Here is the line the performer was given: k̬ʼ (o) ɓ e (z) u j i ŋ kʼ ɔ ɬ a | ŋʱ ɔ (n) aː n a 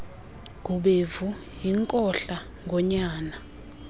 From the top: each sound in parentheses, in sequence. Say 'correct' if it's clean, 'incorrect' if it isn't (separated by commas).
incorrect, incorrect, incorrect